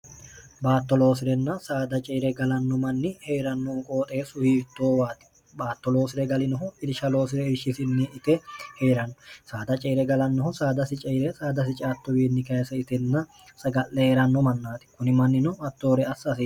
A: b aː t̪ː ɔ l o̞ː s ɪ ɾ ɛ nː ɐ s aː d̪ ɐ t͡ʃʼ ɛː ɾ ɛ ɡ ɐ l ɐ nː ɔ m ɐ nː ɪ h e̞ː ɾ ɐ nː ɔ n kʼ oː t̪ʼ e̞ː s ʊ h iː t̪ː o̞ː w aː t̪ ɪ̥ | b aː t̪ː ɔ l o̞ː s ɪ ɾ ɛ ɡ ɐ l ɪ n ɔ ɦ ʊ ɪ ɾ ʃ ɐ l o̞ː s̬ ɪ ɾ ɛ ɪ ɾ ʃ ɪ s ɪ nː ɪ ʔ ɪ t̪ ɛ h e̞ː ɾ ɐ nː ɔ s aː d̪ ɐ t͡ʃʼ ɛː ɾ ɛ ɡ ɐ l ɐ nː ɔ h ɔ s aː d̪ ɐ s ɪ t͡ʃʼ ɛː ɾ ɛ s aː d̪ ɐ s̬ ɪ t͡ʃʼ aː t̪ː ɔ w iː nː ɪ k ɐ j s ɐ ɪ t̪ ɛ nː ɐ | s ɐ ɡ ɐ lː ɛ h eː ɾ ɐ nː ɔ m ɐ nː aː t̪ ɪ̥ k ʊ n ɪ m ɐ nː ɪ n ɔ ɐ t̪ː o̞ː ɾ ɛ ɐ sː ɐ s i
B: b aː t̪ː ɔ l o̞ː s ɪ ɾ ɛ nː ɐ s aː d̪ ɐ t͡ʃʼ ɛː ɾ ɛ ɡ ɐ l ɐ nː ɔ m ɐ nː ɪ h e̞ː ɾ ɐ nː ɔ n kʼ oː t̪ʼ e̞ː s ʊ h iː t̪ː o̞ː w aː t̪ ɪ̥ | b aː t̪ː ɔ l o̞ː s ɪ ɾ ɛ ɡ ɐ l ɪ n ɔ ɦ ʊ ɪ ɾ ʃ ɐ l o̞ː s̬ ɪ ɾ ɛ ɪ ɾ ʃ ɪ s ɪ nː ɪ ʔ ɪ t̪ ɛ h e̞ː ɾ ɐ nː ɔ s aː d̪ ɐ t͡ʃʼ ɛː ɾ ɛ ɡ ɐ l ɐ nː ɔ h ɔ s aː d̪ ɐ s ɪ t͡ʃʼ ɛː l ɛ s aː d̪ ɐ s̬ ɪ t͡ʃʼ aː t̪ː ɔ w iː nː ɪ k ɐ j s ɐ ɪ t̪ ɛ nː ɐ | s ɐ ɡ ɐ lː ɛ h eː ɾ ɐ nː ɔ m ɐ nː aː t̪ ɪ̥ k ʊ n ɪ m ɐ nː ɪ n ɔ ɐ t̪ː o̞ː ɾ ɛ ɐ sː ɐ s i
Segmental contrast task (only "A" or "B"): A